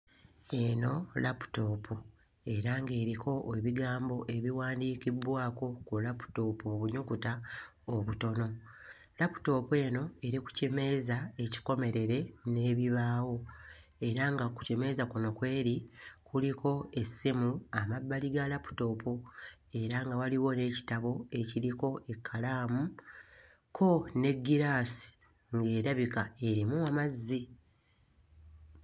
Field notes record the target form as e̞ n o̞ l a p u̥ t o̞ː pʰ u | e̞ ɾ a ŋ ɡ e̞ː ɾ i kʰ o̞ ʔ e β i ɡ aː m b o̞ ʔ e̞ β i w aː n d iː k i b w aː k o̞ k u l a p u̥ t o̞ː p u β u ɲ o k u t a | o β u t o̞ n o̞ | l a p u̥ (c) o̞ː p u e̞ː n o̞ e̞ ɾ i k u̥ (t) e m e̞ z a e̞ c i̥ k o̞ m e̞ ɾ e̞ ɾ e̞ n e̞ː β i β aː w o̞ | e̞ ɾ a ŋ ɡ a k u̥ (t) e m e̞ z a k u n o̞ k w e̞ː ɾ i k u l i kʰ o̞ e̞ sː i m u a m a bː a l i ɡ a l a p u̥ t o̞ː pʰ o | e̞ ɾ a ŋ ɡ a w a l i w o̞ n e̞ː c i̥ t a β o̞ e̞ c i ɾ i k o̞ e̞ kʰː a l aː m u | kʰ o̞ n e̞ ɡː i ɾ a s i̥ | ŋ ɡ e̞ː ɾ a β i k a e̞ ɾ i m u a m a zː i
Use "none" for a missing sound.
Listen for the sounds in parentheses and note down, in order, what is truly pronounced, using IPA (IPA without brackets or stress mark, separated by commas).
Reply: t, c, c